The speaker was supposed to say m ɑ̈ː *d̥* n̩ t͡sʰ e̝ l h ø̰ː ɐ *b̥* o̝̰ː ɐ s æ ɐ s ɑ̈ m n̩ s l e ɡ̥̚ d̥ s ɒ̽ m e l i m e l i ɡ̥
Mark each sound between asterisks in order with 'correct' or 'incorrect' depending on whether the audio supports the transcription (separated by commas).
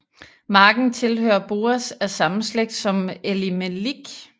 incorrect, correct